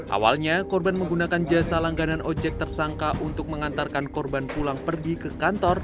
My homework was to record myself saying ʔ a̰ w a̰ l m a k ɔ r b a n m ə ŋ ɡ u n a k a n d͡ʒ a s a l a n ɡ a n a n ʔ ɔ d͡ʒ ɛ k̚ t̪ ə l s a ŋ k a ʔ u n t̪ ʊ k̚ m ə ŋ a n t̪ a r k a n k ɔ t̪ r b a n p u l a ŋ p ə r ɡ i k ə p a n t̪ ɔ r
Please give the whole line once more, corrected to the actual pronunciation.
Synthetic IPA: ʔ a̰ w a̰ l ɲ a k ɔ r b a n m ə ŋ ɡ u n a k a n d͡ʒ a s a l a ŋ ɡ a n a n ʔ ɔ d͡ʒ ɛ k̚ t̪ ə r s a ŋ k a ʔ u n t̪ ʊ k̚ m ə ŋ a n t̪ a r k a n k ɔ r b a n p u l a ŋ p ə r ɡ i k ə k a n t̪ ɔ r